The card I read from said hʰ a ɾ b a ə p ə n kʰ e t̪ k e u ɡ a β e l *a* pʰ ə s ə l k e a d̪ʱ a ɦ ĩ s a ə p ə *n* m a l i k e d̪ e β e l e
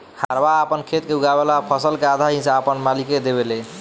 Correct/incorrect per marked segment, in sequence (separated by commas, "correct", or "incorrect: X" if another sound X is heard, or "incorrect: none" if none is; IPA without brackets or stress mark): correct, correct